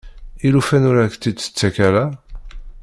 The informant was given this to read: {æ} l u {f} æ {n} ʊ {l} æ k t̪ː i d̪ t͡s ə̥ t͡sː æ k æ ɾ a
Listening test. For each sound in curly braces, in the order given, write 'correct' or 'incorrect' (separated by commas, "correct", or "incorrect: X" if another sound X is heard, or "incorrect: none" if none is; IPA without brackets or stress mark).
incorrect: i, correct, correct, incorrect: ɾ